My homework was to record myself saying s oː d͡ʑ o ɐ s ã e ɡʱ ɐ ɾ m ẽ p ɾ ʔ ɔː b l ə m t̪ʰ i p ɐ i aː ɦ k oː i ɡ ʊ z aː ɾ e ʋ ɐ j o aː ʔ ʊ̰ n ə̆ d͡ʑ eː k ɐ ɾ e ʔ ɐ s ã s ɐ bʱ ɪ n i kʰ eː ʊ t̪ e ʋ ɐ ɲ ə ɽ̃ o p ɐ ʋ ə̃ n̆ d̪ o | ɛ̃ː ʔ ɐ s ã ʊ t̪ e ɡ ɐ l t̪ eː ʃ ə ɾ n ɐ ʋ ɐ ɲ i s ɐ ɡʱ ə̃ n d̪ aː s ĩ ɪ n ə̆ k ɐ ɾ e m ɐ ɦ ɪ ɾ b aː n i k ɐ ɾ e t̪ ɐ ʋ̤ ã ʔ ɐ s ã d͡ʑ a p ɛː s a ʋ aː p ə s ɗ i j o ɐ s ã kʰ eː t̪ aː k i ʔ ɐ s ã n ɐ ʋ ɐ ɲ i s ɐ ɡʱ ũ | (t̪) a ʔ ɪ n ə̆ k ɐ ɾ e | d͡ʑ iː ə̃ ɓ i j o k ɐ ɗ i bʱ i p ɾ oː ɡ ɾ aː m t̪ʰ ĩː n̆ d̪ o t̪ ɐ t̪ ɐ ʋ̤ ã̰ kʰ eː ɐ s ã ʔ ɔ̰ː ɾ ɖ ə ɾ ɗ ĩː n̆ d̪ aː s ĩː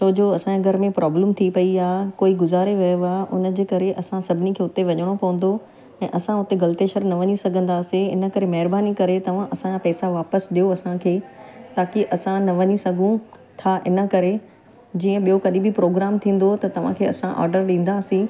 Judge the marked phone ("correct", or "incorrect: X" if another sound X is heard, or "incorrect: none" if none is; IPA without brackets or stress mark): incorrect: t̪ʰ